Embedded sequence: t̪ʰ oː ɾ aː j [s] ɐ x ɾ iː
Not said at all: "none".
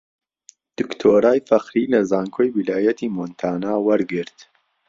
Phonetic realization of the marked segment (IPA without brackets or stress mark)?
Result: f